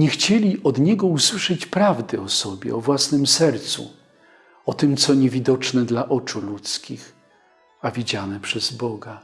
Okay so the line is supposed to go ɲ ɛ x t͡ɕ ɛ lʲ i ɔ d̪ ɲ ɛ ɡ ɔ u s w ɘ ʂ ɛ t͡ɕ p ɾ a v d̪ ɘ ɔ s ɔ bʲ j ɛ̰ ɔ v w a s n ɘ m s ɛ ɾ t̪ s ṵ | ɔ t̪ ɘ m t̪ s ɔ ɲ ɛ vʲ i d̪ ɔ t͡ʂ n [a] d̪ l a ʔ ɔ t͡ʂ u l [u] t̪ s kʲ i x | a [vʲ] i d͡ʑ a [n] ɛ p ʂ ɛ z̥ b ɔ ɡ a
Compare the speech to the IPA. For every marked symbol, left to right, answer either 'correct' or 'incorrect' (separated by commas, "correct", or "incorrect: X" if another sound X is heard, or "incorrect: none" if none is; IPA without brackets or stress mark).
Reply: incorrect: ɛ, correct, correct, correct